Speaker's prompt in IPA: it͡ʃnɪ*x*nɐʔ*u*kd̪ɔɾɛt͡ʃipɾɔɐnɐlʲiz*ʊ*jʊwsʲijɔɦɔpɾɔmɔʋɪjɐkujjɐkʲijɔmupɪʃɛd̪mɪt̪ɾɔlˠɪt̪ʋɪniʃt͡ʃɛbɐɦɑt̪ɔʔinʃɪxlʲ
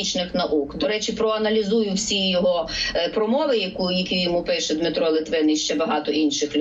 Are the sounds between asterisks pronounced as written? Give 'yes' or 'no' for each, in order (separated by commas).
yes, yes, no